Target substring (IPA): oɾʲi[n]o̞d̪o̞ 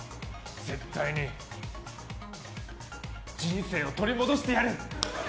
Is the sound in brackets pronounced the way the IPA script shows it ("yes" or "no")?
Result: no